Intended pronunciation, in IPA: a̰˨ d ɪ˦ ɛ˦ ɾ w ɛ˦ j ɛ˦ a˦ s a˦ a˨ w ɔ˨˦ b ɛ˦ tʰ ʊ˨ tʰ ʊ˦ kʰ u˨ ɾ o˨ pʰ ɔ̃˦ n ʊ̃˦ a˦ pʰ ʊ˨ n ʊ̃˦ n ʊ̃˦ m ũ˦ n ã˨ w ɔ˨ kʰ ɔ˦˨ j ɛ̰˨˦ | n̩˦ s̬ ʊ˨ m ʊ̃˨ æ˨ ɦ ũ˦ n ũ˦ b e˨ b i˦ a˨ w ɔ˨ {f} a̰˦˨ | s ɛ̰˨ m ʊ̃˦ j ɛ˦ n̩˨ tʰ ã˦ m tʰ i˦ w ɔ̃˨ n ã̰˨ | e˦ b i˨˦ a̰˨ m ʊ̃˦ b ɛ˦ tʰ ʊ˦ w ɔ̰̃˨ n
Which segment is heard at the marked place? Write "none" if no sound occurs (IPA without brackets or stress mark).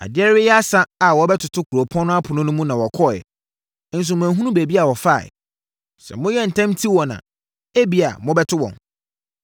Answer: f